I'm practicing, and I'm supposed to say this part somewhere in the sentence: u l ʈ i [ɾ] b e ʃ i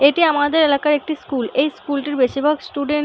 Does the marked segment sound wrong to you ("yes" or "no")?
no